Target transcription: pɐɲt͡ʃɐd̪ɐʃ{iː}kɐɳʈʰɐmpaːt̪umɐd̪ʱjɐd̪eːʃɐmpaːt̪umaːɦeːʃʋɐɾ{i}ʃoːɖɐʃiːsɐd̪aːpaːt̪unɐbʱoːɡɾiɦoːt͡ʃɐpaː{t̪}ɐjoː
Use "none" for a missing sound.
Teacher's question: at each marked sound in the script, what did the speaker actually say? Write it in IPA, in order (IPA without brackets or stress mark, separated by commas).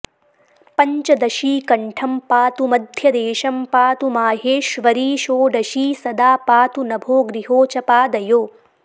iː, iː, d̪